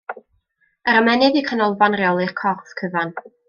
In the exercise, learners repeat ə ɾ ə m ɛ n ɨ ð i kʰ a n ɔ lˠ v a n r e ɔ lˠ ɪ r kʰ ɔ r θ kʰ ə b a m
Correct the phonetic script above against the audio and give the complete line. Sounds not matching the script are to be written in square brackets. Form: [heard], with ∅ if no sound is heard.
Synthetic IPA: ə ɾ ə m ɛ n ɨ ð i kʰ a n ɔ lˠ v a n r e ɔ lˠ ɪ r kʰ ɔ r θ kʰ ə [v] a [n]